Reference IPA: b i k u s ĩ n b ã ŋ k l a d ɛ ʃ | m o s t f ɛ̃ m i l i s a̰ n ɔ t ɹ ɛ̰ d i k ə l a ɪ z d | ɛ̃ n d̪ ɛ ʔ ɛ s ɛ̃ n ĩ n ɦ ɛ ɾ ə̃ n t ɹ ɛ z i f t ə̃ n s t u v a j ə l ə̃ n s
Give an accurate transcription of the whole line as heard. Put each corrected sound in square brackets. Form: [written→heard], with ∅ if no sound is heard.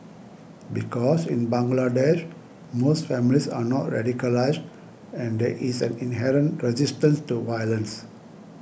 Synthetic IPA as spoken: b i k [u→ɔ] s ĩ n b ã ŋ [k→ɡ] l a d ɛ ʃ | m o s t f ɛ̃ m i l i s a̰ n ɔ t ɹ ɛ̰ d i k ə l a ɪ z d | ɛ̃ n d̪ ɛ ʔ [ɛ→i] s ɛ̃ n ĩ n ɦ ɛ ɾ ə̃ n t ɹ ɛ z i [f→s] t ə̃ n s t u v a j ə l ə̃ n s

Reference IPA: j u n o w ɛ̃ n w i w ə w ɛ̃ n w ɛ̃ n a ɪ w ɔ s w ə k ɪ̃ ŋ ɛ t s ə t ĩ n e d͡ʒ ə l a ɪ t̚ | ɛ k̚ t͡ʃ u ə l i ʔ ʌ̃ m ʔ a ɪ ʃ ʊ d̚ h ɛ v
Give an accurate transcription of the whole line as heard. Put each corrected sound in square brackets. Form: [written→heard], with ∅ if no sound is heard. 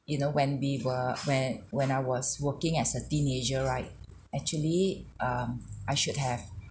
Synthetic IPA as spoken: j u n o w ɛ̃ n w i w ə w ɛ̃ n w ɛ̃ n a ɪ w ɔ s w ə k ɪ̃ ŋ ɛ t s ə t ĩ n e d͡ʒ ə [l→ɹ] a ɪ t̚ | ɛ k̚ t͡ʃ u ə l i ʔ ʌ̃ m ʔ a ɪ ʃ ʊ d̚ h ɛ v

